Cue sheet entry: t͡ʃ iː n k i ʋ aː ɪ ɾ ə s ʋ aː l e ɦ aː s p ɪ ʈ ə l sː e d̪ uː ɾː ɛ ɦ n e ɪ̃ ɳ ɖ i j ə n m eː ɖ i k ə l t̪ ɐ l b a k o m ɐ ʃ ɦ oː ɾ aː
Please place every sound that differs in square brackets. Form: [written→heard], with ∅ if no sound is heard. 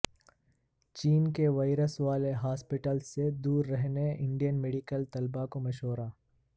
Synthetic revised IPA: t͡ʃ iː n k [i→e] ʋ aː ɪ ɾ ə s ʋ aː l e ɦ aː s p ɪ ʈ ə l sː e d̪ uː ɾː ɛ ɦ n e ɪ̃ ɳ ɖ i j ə n m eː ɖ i k ə l t̪ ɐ l b a k o m ɐ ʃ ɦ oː ɾ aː